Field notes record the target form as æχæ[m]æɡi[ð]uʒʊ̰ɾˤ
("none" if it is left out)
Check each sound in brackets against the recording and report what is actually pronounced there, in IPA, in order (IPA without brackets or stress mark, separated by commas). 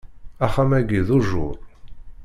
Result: m, ð